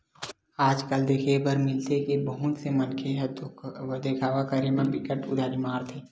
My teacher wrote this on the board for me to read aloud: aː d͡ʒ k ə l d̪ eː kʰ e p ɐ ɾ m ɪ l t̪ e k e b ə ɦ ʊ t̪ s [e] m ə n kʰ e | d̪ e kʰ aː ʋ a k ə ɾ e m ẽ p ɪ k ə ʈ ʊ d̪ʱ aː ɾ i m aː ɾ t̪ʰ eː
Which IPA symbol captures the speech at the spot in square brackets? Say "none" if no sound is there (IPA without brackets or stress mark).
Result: e